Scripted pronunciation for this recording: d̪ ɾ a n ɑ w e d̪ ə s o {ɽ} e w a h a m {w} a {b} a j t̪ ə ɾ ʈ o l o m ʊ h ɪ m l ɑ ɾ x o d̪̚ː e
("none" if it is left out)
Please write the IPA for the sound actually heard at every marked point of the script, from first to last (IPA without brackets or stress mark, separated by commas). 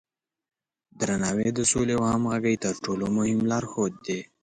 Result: l, ɣ, ɡ